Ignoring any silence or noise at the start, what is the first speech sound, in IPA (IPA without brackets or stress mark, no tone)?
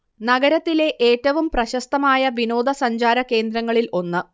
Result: n